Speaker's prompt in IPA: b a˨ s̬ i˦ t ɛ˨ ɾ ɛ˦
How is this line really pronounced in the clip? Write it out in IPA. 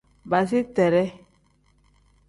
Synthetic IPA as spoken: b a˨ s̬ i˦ t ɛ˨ ɾ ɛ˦